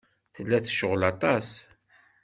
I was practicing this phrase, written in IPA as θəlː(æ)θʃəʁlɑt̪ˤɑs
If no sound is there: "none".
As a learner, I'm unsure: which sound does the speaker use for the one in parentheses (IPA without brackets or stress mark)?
æ